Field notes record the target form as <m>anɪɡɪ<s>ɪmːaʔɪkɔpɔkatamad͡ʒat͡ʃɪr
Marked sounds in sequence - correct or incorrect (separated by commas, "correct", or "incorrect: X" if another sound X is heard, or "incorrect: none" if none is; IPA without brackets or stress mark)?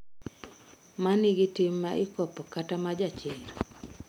correct, incorrect: t